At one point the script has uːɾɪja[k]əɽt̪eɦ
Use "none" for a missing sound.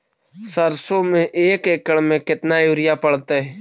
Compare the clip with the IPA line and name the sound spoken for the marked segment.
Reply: p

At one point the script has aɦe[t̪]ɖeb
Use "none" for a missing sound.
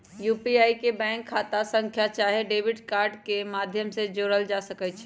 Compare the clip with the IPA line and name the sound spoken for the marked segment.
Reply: none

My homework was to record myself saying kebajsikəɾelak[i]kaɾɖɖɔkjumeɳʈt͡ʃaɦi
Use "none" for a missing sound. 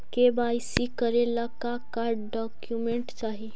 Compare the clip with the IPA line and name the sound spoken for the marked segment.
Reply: a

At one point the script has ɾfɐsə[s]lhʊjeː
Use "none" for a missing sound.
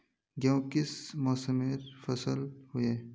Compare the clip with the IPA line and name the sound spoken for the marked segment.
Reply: none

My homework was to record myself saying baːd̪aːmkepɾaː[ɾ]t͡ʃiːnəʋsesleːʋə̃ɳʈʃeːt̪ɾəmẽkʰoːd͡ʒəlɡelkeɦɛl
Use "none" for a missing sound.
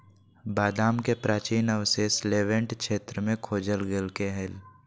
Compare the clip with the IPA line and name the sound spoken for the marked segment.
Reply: none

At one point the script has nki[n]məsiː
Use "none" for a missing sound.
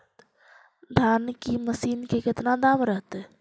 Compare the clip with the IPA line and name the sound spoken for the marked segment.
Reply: none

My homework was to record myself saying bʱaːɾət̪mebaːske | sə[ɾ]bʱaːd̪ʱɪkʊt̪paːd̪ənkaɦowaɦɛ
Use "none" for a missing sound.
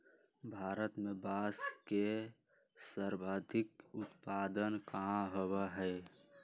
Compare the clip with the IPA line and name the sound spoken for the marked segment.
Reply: ɾ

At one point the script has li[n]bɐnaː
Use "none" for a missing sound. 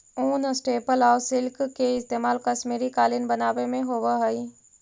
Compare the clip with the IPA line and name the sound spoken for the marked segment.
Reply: n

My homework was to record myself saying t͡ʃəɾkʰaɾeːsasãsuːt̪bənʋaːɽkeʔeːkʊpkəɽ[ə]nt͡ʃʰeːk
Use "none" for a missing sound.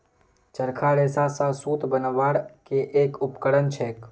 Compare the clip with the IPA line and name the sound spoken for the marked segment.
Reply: ə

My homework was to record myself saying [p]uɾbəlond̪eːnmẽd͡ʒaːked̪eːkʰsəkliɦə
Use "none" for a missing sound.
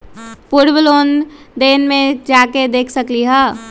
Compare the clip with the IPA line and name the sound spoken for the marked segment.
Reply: p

